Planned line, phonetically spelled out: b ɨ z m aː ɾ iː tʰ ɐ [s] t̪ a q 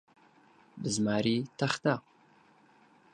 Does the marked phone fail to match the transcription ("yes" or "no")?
yes